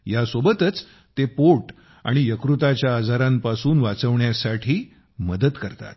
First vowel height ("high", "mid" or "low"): low